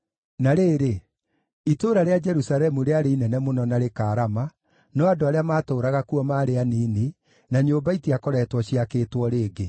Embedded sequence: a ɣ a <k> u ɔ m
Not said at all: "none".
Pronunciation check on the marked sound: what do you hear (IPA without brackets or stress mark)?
k